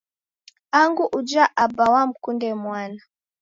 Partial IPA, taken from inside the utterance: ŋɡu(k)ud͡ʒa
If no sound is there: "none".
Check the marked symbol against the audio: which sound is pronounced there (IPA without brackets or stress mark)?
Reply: ʔ